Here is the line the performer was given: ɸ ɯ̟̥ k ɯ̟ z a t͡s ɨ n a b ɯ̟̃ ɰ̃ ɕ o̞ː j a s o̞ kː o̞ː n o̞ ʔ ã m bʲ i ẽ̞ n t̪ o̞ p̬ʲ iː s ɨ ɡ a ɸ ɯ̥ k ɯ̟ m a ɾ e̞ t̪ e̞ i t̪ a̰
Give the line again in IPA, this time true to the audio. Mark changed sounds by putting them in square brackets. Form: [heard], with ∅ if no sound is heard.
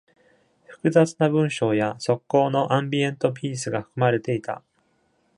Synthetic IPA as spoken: ɸ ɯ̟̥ k ɯ̟ z a t͡s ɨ n a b ɯ̟̃ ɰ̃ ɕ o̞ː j a s o̞ kː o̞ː n o̞ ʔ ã m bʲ i ẽ̞ n t̪ o̞ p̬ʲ iː s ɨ ɡ a ɸ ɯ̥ k ɯ̟ m a ɾ e̞ t̪ e̞ i t̪ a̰